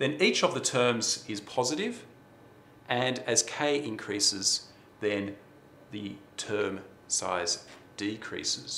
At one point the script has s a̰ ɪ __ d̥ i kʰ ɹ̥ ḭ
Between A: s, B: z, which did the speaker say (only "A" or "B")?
B